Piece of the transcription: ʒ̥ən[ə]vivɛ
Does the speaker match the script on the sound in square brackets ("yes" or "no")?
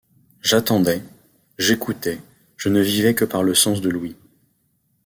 yes